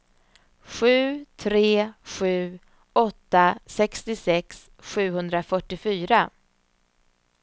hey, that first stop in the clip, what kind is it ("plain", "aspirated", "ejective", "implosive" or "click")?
aspirated